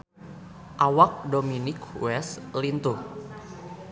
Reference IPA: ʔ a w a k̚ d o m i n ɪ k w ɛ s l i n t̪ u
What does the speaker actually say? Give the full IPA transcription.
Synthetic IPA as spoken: ʔ a w a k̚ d o m i n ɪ k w ɛ s l i n t̪ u